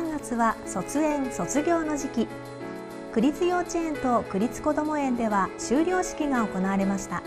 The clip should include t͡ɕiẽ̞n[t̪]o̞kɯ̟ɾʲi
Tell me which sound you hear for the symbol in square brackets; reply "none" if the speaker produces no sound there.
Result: t̪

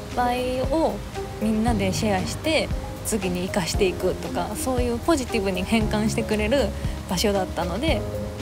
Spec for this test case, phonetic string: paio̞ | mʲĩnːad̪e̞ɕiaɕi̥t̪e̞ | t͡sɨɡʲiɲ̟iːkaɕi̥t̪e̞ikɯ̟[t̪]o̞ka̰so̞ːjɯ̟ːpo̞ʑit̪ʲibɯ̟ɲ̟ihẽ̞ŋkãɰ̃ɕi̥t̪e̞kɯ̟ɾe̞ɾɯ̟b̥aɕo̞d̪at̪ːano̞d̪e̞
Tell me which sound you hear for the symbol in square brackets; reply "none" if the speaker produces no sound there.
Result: t̪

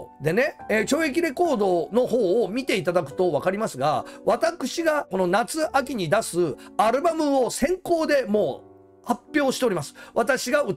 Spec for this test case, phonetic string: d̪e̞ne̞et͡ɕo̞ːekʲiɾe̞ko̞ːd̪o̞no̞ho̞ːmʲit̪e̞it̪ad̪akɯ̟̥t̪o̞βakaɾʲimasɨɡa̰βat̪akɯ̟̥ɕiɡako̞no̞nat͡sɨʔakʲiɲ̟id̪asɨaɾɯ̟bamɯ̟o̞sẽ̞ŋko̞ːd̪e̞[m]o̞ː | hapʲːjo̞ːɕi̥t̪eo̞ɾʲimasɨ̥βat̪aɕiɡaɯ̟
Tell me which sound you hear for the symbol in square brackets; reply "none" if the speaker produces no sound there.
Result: m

